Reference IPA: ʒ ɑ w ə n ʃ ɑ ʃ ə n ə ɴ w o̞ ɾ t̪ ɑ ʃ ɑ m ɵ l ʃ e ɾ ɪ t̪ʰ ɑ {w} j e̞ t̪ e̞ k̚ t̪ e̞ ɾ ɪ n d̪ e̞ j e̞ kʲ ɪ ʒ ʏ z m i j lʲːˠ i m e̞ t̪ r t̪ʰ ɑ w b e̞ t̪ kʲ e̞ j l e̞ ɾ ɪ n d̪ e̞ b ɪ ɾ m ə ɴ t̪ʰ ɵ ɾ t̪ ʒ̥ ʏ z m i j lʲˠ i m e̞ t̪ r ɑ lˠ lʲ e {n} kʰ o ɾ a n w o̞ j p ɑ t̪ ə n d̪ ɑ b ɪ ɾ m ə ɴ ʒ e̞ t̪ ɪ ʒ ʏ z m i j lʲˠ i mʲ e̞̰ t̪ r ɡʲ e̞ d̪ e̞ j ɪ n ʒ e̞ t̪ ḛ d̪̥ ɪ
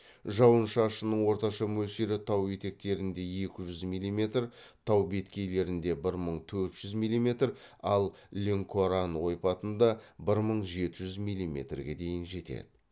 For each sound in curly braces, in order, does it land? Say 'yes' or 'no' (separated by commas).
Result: yes, no